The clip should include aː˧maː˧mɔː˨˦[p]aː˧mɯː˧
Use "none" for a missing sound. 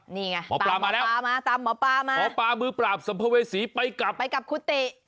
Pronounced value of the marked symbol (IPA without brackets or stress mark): p